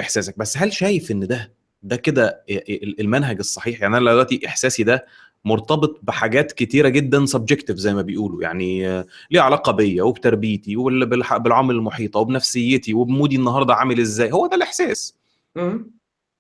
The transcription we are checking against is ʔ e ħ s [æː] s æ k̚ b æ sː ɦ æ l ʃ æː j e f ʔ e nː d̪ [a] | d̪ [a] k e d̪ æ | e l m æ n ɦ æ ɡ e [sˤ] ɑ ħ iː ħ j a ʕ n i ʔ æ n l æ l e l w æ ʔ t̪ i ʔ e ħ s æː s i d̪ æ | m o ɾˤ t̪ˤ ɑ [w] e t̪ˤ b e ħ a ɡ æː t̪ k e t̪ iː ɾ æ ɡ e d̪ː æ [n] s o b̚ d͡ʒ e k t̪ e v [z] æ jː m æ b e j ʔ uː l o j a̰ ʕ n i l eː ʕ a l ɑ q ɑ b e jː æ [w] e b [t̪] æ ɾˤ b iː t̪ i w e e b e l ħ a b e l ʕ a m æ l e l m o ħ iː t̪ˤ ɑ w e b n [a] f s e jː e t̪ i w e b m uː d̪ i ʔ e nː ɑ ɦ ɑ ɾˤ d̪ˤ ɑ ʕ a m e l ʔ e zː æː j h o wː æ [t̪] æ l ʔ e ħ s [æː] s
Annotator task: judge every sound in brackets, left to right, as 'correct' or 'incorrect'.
correct, incorrect: æ, incorrect: æ, incorrect: sˤː, incorrect: b, correct, correct, correct, correct, incorrect: æ, incorrect: d̪, correct

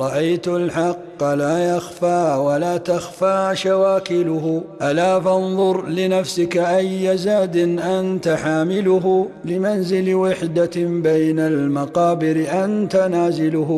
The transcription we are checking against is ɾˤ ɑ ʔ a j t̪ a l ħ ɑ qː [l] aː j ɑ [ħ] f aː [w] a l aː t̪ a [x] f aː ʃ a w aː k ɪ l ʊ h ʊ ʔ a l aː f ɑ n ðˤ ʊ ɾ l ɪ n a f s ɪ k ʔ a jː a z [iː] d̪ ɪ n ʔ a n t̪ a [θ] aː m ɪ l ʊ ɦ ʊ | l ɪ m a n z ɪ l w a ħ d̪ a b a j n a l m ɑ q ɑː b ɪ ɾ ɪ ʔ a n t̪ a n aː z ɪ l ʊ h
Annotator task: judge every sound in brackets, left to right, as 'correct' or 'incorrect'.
correct, incorrect: x, correct, correct, incorrect: aː, incorrect: ħ

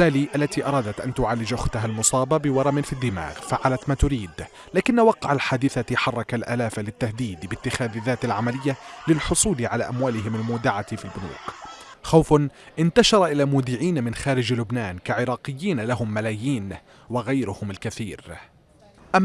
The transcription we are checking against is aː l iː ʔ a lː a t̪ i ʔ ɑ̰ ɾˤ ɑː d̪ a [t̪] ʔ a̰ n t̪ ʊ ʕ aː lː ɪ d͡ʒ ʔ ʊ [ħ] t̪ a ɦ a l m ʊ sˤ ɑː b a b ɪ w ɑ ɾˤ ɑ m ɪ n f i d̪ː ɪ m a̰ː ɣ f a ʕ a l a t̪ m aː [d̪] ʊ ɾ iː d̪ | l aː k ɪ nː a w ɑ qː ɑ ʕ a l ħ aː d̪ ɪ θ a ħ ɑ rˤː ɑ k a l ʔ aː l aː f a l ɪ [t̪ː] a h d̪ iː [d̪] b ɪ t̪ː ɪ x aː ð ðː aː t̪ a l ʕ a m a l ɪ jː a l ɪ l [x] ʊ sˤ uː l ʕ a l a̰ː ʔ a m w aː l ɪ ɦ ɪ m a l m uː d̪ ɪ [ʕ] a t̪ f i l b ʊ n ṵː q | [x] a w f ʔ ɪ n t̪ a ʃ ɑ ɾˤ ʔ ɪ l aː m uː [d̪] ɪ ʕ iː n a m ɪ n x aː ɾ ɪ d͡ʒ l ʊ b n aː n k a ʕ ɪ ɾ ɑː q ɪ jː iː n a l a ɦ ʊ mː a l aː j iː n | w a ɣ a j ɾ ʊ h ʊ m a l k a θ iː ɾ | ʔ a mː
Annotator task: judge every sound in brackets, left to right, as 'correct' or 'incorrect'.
correct, incorrect: x, incorrect: t̪, correct, correct, incorrect: ħ, correct, correct, correct

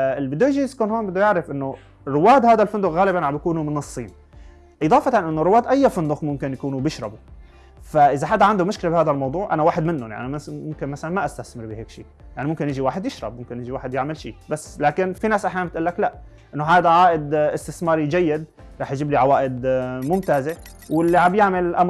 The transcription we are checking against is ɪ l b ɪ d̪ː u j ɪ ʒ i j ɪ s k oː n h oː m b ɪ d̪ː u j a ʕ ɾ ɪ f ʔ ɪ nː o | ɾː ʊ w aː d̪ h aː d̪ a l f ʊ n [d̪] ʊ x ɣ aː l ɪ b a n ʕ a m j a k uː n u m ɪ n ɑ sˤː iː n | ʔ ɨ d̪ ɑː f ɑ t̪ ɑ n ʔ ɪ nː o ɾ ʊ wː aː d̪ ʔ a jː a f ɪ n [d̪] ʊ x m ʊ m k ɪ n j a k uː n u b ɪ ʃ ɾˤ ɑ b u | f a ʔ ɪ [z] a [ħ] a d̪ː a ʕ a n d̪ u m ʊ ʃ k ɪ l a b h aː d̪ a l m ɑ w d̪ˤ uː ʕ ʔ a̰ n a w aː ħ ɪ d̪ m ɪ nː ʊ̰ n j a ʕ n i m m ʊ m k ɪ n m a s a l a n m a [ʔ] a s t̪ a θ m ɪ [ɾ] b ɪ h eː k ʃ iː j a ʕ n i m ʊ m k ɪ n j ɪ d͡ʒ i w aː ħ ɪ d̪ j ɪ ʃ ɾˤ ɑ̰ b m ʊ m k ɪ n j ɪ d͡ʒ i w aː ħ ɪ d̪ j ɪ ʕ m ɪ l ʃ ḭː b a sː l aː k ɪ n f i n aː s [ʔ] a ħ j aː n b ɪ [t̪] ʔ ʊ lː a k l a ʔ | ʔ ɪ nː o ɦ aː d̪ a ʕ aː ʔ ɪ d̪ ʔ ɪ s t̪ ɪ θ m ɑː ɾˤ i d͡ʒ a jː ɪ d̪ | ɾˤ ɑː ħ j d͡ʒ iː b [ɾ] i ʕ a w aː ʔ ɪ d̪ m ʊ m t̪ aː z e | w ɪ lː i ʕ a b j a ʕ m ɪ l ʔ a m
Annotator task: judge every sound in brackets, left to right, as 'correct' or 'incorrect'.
correct, correct, correct, correct, correct, correct, correct, correct, incorrect: l

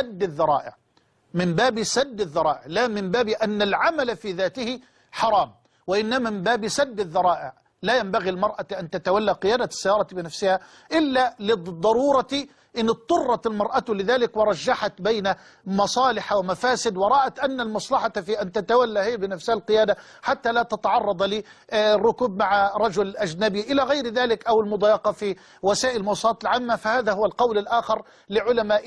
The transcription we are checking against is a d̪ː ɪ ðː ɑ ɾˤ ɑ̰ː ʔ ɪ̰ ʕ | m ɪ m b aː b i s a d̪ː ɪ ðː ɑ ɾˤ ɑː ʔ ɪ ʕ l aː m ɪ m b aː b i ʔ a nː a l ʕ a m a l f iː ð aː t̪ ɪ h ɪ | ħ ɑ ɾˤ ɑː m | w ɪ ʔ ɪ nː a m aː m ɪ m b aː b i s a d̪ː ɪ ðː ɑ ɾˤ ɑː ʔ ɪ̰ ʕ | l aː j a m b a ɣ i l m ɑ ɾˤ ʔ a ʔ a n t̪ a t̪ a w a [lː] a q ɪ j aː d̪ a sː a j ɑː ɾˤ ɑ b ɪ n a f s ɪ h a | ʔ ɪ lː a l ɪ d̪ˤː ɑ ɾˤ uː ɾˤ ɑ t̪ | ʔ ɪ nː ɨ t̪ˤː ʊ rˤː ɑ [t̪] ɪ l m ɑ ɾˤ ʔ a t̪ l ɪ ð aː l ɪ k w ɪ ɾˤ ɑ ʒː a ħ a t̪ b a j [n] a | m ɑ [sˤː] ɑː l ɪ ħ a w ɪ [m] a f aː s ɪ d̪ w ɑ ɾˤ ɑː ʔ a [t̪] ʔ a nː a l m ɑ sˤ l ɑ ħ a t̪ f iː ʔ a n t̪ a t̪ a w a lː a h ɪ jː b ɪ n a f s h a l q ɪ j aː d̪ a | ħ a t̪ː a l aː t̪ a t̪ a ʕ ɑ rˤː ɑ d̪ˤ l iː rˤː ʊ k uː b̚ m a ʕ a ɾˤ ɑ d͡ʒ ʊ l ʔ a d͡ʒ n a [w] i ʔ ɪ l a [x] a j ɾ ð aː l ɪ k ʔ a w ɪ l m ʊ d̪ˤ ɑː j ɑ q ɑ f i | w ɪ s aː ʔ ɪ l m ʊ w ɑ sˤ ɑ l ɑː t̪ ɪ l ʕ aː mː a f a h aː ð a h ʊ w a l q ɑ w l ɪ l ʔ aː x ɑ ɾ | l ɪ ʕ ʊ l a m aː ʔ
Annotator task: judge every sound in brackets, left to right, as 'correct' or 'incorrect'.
correct, correct, correct, incorrect: sˤ, correct, correct, incorrect: b, incorrect: ɣ

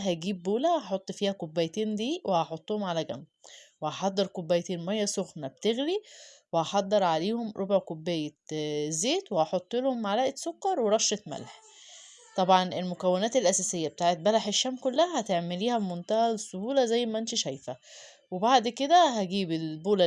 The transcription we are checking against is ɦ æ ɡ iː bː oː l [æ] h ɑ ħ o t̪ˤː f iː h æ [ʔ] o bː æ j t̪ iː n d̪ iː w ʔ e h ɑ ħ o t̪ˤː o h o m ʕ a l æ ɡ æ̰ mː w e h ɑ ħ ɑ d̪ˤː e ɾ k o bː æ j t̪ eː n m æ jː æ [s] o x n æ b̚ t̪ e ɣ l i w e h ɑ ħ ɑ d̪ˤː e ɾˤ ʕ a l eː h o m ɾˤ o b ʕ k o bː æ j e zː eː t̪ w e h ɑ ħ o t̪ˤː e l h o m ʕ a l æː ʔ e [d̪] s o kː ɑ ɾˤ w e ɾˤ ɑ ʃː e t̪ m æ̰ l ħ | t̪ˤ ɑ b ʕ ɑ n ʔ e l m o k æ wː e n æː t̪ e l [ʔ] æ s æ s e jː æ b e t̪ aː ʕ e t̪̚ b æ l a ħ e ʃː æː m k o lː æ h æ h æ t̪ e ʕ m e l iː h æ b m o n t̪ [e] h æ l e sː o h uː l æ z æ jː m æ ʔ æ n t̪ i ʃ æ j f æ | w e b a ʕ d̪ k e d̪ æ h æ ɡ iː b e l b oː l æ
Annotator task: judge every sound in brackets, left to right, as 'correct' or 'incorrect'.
correct, incorrect: k, correct, incorrect: t̪, correct, incorrect: æ

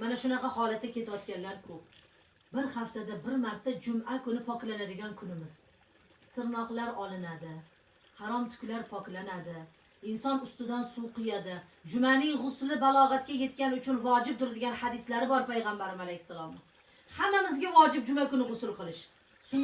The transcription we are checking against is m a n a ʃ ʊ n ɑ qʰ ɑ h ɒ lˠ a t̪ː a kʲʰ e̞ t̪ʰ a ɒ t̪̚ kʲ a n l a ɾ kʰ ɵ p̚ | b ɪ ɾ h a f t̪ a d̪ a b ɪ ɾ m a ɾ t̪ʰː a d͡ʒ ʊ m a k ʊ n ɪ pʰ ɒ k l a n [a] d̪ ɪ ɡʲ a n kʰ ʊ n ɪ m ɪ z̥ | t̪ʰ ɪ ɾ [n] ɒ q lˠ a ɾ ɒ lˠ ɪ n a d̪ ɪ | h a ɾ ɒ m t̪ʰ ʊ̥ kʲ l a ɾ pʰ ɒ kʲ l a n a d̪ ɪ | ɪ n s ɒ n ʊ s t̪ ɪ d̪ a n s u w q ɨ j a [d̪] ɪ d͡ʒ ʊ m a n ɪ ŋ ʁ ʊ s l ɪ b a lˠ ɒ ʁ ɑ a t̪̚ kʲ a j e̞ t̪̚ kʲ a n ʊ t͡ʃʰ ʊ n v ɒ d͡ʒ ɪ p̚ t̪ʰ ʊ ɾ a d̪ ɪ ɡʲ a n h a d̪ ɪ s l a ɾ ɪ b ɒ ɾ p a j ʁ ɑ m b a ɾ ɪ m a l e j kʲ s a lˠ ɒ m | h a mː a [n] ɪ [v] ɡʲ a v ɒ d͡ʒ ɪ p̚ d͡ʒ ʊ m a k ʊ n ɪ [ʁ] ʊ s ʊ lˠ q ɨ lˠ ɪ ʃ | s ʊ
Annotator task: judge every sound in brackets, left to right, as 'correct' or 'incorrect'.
correct, correct, correct, incorrect: m, incorrect: z, correct

